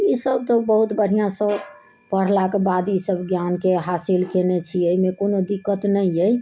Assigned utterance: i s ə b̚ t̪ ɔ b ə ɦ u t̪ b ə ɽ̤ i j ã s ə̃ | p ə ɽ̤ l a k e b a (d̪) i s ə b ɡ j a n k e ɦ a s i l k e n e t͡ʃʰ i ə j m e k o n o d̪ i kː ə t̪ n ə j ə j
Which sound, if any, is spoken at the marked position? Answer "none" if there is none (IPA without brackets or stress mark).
d̪